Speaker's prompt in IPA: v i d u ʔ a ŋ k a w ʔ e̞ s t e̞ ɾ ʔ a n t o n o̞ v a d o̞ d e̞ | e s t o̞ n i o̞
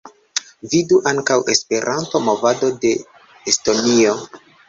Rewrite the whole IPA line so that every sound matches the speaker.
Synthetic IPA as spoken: v i d u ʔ a ŋ k a w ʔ e̞ s p e̞ ɾ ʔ a n t o m o̞ v a d o̞ d e̞ | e s t o̞ n i o̞